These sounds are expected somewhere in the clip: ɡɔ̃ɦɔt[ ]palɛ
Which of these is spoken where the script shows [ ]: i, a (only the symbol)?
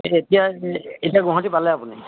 i